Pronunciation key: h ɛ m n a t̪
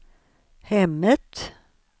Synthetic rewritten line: h ɛ m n ə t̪